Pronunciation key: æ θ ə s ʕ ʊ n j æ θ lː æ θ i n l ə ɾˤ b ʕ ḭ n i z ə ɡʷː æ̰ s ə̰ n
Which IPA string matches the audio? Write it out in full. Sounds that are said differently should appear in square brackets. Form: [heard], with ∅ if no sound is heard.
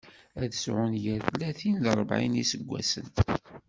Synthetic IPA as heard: æ [ð] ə s ʕ ʊ n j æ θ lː æ θ i n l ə ɾˤ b ʕ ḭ n i [s] ə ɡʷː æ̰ s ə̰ n